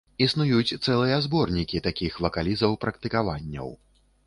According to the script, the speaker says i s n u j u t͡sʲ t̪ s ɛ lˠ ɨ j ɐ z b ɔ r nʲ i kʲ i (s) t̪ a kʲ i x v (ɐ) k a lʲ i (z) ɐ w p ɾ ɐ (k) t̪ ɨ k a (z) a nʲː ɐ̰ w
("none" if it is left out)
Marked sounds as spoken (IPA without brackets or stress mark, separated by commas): none, ɐ, z, k, v